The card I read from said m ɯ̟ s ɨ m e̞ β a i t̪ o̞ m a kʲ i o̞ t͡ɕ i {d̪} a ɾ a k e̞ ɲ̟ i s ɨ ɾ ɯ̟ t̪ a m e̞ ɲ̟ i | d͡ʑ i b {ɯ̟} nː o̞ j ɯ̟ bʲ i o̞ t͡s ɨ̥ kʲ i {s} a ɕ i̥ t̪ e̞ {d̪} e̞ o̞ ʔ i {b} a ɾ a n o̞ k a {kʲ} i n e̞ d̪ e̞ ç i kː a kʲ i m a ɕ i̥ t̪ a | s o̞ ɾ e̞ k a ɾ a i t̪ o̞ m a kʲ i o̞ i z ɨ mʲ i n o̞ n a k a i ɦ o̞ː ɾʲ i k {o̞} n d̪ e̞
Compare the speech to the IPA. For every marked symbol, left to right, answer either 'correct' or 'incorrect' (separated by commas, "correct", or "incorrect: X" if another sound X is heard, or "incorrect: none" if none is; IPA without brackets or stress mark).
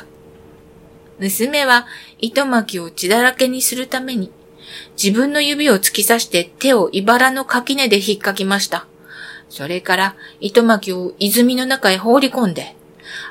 correct, incorrect: ɯ̟̃, correct, incorrect: t̪, correct, correct, incorrect: õ̞